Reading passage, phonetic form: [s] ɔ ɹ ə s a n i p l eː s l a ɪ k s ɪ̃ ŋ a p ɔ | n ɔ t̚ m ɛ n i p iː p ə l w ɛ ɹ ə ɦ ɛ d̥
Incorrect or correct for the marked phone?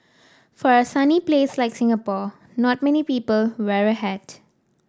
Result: incorrect: f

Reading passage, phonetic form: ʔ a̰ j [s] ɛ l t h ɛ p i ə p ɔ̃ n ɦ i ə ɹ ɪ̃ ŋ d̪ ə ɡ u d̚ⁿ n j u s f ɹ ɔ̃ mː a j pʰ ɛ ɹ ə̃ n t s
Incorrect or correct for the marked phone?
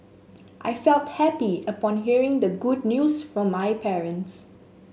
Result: incorrect: f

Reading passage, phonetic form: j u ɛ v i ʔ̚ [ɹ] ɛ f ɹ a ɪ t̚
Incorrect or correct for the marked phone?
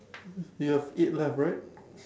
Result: incorrect: l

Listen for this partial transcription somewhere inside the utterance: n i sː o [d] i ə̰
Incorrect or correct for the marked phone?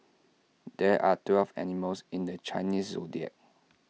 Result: correct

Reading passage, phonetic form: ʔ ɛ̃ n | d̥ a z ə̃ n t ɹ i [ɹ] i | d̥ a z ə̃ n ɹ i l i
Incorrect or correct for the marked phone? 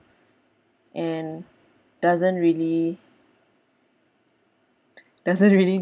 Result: incorrect: l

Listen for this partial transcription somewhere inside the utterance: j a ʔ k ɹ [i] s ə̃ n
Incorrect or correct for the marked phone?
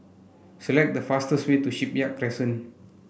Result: incorrect: ɛ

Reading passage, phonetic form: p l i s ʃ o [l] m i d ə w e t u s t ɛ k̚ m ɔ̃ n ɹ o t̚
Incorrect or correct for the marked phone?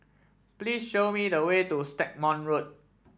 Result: incorrect: none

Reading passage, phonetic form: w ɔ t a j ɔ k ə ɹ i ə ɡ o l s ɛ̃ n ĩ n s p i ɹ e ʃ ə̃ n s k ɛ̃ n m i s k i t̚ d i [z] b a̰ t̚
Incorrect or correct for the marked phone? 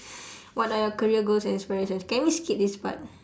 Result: incorrect: s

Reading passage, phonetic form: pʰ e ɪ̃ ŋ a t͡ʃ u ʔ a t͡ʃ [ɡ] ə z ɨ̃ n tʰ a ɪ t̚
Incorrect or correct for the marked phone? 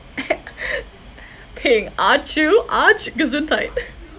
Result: correct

